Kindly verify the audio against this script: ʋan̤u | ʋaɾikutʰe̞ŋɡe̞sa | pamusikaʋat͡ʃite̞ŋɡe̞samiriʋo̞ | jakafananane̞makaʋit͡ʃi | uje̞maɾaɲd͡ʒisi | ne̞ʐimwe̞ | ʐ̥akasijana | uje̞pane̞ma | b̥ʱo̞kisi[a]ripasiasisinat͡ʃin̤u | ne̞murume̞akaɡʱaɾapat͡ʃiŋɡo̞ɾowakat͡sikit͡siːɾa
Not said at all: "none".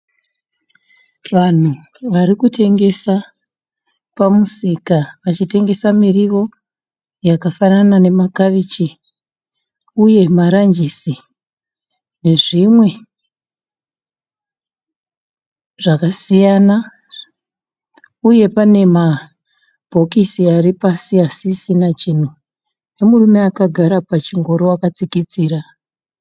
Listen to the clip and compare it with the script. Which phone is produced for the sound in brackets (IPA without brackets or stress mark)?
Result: a